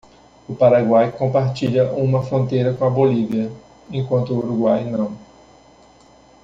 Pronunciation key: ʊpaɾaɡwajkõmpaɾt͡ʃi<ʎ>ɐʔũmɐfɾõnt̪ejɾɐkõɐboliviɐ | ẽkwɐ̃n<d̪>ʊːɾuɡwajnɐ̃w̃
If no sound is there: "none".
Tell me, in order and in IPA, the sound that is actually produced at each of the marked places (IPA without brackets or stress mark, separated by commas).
ʎ, t̪